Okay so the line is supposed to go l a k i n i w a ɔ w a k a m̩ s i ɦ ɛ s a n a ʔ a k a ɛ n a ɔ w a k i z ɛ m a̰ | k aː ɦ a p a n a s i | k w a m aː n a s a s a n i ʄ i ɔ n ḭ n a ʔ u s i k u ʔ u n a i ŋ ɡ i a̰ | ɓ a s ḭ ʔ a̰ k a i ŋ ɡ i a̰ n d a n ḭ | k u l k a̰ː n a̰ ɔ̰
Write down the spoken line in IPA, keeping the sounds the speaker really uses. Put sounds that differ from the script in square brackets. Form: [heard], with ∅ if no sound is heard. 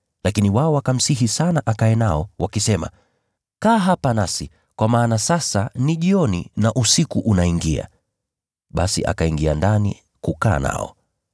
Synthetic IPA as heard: l a k i n i w a ɔ w a k a m̩ s i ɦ [i] s a n a ʔ a k a ɛ n a ɔ w a k i [s] ɛ m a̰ | k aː ɦ a p a n a s i | k w a m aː n a s a s a n i ʄ i ɔ n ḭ n a ʔ u s i k u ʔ u n a i ŋ ɡ i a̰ | ɓ a s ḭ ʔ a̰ k a i ŋ ɡ i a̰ n d a n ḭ | k u [∅] k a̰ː n a̰ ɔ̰